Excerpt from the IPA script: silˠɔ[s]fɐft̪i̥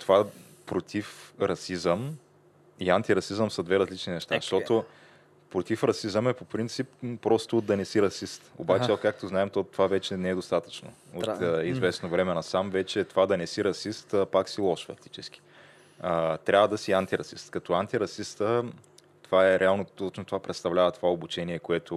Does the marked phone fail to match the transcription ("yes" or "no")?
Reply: yes